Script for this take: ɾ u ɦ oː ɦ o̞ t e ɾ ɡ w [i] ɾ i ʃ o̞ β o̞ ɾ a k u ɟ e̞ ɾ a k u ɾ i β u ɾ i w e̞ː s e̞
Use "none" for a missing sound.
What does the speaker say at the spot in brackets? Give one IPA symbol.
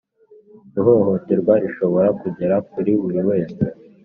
a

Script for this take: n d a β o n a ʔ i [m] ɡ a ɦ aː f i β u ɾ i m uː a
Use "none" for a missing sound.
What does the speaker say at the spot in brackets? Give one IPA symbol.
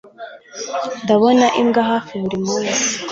m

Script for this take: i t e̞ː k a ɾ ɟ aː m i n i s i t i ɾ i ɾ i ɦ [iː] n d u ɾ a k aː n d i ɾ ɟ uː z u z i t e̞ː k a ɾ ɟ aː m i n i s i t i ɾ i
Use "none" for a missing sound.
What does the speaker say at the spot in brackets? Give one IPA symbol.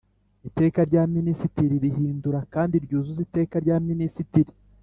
iː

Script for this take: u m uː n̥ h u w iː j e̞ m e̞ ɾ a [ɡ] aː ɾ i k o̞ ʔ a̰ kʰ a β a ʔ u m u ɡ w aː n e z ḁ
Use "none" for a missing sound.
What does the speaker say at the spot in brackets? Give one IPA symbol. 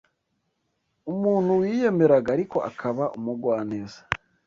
ɡ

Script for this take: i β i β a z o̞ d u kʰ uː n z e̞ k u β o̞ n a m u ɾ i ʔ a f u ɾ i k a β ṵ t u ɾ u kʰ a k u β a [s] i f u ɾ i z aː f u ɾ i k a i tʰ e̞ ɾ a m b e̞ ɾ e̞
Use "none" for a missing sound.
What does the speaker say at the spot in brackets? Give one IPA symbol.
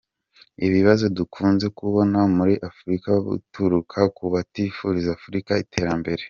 t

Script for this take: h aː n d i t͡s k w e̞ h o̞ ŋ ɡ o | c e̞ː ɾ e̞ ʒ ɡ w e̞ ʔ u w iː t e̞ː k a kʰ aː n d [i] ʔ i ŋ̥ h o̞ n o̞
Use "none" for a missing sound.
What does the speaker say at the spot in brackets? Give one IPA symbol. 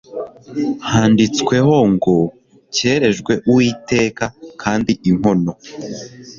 i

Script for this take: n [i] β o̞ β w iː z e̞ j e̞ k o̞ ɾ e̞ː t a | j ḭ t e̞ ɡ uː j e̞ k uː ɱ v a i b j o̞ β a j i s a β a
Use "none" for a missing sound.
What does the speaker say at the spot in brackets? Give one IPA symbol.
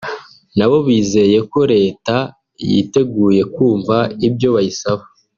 a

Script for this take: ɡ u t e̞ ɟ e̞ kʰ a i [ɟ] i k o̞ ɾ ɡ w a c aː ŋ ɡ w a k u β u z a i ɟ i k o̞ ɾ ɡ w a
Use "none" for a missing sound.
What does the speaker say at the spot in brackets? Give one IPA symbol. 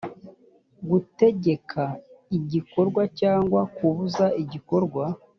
ɟ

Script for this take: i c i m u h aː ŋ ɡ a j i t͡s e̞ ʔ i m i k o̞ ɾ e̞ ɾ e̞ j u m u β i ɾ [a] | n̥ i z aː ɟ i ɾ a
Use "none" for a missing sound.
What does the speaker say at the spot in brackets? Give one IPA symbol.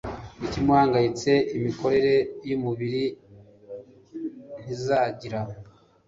i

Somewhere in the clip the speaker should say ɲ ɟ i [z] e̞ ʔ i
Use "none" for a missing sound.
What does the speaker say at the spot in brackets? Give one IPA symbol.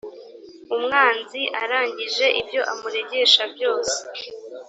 ʒ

